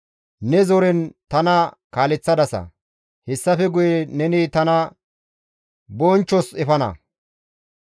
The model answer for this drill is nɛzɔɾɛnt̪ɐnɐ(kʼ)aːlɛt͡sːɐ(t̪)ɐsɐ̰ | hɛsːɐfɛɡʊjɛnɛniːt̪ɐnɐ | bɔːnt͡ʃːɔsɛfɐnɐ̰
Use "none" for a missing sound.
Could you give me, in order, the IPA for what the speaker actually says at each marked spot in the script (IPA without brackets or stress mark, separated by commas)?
k, d̪